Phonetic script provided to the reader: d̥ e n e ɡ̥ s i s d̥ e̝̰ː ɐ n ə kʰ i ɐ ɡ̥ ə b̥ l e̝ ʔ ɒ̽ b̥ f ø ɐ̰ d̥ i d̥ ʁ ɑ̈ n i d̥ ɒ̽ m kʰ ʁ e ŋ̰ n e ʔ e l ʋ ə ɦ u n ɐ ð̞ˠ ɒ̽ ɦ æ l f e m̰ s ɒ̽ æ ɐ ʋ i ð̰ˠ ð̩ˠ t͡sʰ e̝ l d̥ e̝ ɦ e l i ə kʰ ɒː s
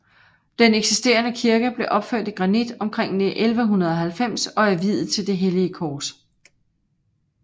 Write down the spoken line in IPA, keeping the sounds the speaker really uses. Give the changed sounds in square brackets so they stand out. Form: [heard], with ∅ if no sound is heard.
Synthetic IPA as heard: d̥ e n e ɡ̥ s i s d̥ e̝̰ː ɐ n ə kʰ i ɐ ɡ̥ ə b̥ l e̝ ʔ ɒ̽ b̥ f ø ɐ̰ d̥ i [ɡ̥] ʁ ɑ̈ n i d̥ ɒ̽ m kʰ ʁ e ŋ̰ n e ʔ e l ʋ ə ɦ u n ɐ ð̞ˠ ɒ̽ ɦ æ l f e m̰ s ɒ̽ æ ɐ ʋ i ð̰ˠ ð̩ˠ t͡sʰ e̝ l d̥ e̝ ɦ e l i ə kʰ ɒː s